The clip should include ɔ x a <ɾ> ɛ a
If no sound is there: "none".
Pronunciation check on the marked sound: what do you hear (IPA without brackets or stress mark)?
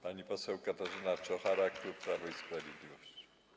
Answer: ɾ